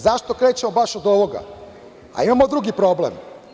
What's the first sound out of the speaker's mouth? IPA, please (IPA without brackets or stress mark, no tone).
z